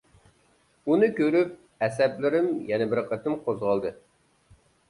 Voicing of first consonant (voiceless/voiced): voiced